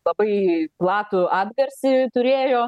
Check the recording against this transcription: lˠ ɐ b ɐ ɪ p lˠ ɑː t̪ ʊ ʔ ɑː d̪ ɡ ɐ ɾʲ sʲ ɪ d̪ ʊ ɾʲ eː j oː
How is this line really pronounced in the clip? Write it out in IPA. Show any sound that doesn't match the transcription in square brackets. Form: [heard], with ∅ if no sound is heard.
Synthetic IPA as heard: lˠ ɐ b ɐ ɪ p lˠ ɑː t̪ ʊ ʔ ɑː d̪ ɡ ɐ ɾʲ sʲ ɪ [t̪] ʊ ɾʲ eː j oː